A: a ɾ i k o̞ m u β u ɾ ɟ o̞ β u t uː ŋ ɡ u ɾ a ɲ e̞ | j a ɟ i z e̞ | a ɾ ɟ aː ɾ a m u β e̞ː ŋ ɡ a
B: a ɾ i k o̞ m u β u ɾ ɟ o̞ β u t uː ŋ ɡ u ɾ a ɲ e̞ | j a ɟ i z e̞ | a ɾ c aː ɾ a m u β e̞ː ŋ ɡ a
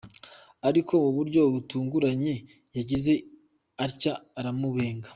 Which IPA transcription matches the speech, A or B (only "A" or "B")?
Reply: B